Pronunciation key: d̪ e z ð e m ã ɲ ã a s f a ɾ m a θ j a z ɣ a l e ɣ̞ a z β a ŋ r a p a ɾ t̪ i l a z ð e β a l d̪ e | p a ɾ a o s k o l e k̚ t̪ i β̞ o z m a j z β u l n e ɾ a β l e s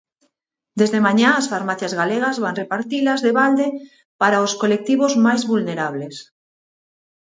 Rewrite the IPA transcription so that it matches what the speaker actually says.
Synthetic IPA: d̪ e z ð e m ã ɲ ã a s f a ɾ m a θ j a z ɣ a l e ɣ̞ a z β a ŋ r e p a ɾ t̪ i l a z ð e β a l d̪ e | p a ɾ a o s k o l e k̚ t̪ i β̞ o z m a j z β u l n e ɾ a β l e s

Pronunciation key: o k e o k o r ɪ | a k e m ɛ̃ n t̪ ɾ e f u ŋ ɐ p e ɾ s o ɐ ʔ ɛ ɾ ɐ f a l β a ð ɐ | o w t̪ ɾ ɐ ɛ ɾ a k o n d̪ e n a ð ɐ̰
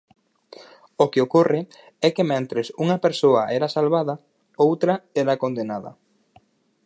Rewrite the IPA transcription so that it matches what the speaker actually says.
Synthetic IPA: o k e o k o r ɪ | ɛ k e m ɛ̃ n t̪ ɾ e s u ŋ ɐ p e ɾ s o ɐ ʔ ɛ ɾ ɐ s a l β a ð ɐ | o w t̪ ɾ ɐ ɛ ɾ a k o n d̪ e n a ð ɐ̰

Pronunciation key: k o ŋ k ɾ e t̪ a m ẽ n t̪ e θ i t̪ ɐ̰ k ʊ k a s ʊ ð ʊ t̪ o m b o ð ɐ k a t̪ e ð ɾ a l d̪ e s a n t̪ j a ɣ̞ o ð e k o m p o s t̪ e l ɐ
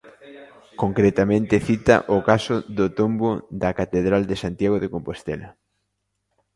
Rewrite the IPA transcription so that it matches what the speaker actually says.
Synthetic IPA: k o ŋ k ɾ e t̪ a m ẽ n t̪ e θ i t̪ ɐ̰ ʔ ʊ k a s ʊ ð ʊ t̪ o m b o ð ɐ k a t̪ e ð ɾ a l d̪ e s a n t̪ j a ɣ̞ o ð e k o m p o s t̪ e l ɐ

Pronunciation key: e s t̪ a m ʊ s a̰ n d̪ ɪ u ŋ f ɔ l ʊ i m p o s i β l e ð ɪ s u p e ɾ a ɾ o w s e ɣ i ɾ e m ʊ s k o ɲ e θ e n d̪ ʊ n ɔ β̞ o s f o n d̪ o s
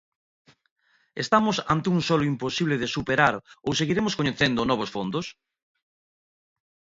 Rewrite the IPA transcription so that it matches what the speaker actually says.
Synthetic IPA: e s t̪ a m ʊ s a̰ n t̪ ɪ u ŋ s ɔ l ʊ i m p o s i β l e ð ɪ s u p e ɾ a ɾ o w s e ɣ i ɾ e m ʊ s k o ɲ e θ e n d̪ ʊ n ɔ β̞ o s f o n d̪ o s

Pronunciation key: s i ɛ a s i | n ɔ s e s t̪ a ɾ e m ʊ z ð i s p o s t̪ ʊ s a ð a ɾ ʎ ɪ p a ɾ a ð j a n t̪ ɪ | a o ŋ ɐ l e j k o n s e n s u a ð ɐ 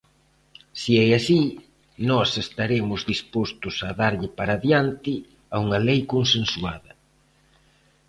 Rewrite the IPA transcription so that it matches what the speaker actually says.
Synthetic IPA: s i ɛ a s i | n ɔ s e s t̪ a ɾ e m ʊ z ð i s p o s t̪ ʊ s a ð a ɾ ʎ ɪ p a ɾ a ð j a n t̪ ɪ | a u ŋ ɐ l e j k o n s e n s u a ð ɐ

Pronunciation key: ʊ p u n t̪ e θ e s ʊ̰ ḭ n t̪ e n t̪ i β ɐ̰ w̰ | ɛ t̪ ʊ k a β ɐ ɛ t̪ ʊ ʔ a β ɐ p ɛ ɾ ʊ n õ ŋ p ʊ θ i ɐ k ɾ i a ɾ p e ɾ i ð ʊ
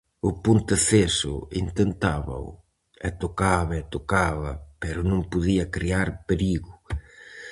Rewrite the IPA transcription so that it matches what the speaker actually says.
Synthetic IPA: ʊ p u n t̪ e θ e s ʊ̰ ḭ n t̪ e n t̪ a β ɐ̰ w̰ | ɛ t̪ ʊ k a β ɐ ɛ t̪ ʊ k a β ɐ p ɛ ɾ ʊ n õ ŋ p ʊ ð i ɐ k ɾ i a ɾ p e ɾ i ɣ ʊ

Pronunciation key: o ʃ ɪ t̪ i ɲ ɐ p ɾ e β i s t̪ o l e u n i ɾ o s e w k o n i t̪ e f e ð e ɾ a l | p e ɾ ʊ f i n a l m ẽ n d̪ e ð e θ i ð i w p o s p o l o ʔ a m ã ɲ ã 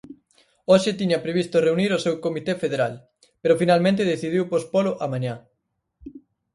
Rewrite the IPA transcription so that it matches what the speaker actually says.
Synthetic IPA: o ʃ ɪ t̪ i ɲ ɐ p ɾ e β i s t̪ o r e u n i ɾ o s e w k o m i t̪ e f e ð e ɾ a l | p e ɾ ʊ f i n a l m ẽ n t̪ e ð e θ i ð i w p o s p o l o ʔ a m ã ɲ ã

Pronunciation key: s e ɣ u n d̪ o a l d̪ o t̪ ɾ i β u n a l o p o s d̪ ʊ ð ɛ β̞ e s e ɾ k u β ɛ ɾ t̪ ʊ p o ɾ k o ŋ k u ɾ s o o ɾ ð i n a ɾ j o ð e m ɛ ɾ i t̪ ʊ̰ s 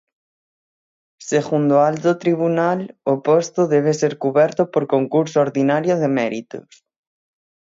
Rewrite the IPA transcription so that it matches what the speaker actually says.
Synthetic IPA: s e ɣ u n d̪ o a l t̪ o t̪ ɾ i β u n a l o p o s t̪ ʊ ð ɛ β̞ e s e ɾ k u β ɛ ɾ t̪ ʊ p o ɾ k o ŋ k u ɾ s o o ɾ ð i n a ɾ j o ð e m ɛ ɾ i t̪ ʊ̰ s

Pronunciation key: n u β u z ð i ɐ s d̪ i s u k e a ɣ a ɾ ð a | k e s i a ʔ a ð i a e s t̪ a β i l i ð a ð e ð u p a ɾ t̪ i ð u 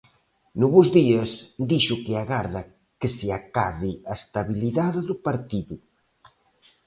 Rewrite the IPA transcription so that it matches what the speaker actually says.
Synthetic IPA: n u β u z ð i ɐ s d̪ i ʃ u k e a ɣ a ɾ ð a | k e s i a k a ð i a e s t̪ a β i l i ð a ð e ð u p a ɾ t̪ i ð u

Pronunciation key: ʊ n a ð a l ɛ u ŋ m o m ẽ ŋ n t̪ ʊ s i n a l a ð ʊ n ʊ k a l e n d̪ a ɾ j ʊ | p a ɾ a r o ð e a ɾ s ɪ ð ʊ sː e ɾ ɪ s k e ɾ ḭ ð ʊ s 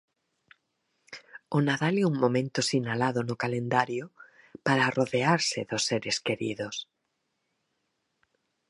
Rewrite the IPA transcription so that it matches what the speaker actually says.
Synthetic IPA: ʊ n a ð a l ɛ u ŋ m o m ẽ n t̪ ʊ s i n a l a ð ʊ n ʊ k a l e n d̪ a ɾ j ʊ | p a ɾ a r o ð e a ɾ s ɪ ð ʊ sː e ɾ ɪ s k e ɾ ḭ ð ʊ s

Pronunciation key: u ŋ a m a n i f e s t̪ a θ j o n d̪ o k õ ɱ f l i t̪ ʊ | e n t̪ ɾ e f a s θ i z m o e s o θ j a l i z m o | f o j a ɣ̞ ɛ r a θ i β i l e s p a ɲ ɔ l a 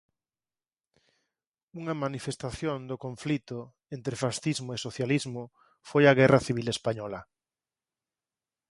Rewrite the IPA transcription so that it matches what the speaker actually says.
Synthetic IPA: u ŋ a m a n i f e s t̪ a θ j o n d̪ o k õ ɱ f l i t̪ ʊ | e n t̪ ɾ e f a s θ i z m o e s o θ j a l i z m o | f o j a ɣ̞ ɛ r a θ i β i l e s p a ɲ ɔ l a

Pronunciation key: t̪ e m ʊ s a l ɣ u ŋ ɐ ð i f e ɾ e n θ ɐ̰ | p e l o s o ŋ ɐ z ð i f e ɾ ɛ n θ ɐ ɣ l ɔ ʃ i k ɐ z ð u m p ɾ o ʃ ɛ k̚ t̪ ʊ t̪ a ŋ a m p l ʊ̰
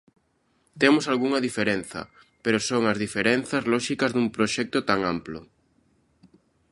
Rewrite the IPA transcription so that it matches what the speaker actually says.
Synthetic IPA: t̪ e m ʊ s a l ɣ u ŋ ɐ ð i f e ɾ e n θ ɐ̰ | p e ɾ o s o ŋ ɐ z ð i f e ɾ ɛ n θ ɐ z l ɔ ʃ i k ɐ z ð u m p ɾ o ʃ ɛ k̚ t̪ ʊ t̪ a ŋ a m p l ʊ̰

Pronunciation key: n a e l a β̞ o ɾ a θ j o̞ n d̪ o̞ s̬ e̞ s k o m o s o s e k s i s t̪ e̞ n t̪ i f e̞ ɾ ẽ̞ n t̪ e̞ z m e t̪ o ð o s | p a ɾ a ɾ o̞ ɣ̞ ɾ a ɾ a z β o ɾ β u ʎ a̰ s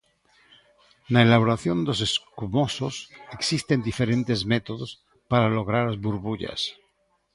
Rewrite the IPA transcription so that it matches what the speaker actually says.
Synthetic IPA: n a e l a β̞ o ɾ a θ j o̞ n d̪ o̞ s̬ e̞ s k u m o s o s e k s i s t̪ e̞ n d̪ i f e̞ ɾ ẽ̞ n t̪ e̞ z m e t̪ o ð o s | p a ɾ a l o̞ ɣ̞ ɾ a ɾ a z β u ɾ β u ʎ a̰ s

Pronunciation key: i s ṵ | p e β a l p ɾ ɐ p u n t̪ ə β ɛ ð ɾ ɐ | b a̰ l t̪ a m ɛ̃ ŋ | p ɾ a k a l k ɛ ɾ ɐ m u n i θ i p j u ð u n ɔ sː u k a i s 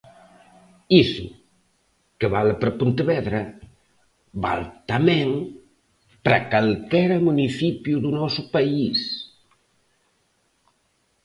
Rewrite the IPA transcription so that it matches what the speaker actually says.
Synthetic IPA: i s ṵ | k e β a l p ɾ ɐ p u n t̪ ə β ɛ ð ɾ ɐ | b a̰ l t̪ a m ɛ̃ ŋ | p ɾ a k a l k ɛ ɾ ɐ m u n i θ i p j u ð u n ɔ s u p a i s

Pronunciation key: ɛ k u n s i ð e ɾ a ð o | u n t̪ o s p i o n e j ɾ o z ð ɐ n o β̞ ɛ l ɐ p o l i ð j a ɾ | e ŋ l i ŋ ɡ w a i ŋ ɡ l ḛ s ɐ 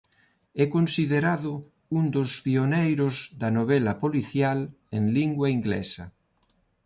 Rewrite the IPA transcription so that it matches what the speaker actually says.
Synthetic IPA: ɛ k o n s i ð e ɾ a ð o | u n d̪ o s p i o n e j ɾ o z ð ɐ n o β̞ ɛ l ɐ p o l i θ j a l | e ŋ l i ŋ ɡ w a i ŋ ɡ l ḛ s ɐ

